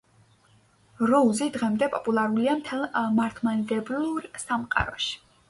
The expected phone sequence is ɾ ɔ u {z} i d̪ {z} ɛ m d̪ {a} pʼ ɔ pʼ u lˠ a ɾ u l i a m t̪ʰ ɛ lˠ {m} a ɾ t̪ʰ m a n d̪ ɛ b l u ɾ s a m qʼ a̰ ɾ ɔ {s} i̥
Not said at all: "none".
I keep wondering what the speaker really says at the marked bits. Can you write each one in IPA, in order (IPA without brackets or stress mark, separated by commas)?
z, ʁ, ɛ, m, ʃ